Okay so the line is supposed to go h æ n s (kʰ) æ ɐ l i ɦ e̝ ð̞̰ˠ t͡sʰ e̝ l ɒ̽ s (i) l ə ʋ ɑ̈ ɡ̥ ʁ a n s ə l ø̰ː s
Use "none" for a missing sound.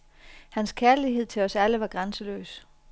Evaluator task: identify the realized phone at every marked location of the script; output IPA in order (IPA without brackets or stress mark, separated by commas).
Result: kʰ, æ